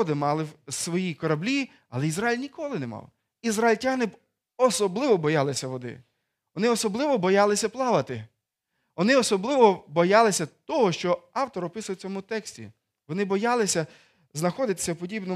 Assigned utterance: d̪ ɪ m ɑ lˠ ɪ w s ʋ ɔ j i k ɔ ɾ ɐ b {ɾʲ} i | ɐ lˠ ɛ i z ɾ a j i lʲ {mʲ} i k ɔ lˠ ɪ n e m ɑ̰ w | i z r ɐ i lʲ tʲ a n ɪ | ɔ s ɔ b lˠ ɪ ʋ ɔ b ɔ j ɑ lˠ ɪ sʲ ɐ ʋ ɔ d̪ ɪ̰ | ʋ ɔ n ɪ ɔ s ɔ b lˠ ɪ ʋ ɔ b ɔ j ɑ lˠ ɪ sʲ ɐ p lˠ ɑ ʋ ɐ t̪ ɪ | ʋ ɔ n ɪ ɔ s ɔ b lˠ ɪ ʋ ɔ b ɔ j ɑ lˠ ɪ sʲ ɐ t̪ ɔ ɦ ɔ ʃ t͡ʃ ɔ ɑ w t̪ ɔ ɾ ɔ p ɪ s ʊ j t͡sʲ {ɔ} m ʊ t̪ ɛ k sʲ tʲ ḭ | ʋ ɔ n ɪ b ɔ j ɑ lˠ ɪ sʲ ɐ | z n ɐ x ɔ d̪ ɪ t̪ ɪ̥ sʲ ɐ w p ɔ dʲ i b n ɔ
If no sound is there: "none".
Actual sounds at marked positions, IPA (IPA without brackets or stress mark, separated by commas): lʲ, nʲ, ɔ